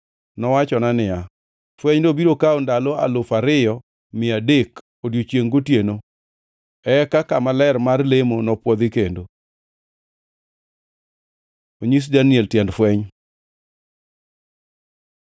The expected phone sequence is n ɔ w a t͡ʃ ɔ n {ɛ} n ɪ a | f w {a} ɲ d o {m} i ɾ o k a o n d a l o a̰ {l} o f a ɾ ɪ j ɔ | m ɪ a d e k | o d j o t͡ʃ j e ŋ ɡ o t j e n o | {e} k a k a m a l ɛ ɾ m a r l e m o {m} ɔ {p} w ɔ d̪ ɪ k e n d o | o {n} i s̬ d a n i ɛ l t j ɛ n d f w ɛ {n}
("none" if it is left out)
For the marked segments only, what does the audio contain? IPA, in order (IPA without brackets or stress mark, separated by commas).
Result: a, ɛ, b, l, ɛ, n, p, ɲ, ɲ